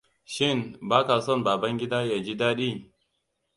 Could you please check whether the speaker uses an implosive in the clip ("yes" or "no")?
yes